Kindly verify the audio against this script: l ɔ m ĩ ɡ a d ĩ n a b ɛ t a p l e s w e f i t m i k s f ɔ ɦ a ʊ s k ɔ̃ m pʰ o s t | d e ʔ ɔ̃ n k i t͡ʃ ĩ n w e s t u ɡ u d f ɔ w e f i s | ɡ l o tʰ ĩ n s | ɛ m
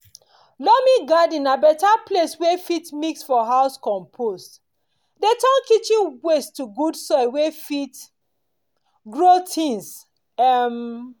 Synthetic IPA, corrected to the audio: l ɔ m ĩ ɡ a d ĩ n a b ɛ t a p l e s w e f i t m i k s f ɔ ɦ a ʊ s k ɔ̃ m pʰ o s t | d e t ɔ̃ n k i t͡ʃ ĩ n w e s t u ɡ u d s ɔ w e f i t | ɡ ɹ o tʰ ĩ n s | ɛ m